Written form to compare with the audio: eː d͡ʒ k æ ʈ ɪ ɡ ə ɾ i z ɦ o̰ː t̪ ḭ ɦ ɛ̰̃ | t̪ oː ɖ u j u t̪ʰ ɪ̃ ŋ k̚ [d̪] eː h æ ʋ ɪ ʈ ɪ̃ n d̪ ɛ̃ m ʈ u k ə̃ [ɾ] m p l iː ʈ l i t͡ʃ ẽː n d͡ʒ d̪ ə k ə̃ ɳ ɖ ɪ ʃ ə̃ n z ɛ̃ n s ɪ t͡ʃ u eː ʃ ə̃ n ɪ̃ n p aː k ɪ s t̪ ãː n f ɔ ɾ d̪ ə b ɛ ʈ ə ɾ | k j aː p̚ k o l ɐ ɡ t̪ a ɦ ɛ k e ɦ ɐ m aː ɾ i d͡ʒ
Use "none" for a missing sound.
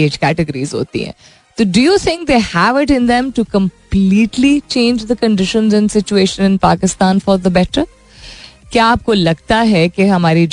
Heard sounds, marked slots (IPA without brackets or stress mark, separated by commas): d̪, none